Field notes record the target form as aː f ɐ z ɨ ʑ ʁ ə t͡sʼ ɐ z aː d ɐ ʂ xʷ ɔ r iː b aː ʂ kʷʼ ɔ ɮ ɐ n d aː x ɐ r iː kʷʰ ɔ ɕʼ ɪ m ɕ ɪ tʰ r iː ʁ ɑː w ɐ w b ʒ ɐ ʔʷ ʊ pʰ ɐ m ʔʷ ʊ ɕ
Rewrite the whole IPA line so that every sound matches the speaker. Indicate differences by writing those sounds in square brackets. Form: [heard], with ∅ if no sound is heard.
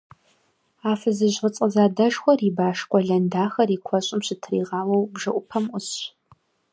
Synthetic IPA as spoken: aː f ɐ z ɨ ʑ ʁ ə t͡sʼ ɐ z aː d ɐ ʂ xʷ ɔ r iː b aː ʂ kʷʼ ɔ ɮ ɐ n d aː x ɐ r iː kʷʰ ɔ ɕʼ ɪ m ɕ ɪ tʰ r iː ʁ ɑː w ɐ w b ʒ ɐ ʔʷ ʊ pʰ ɐ m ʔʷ ʊ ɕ